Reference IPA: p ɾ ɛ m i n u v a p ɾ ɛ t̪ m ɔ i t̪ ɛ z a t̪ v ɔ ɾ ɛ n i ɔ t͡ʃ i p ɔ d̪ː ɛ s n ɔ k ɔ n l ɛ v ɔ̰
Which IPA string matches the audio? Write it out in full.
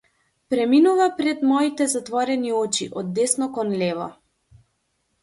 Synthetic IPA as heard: p ɾ ɛ m i n u v a p ɾ ɛ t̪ m ɔ i t̪ ɛ z a t̪ v ɔ ɾ ɛ n i ɔ t͡ʃ i ʔ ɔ d̪ː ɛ s n ɔ k ɔ n l ɛ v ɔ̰